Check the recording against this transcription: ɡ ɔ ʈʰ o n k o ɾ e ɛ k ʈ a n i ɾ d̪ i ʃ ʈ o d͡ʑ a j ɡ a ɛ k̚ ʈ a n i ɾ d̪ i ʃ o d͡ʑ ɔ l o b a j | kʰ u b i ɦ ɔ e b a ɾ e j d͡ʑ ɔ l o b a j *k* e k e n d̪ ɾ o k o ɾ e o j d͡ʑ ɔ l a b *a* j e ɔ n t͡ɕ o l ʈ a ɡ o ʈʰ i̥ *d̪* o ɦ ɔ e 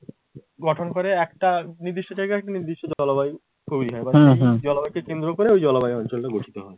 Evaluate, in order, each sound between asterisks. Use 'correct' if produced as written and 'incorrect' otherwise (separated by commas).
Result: correct, correct, incorrect